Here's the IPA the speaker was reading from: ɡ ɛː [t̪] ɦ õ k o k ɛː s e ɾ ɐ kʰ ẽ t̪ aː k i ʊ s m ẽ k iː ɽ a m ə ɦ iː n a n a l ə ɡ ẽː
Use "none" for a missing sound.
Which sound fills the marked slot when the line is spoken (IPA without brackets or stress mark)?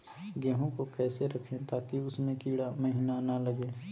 none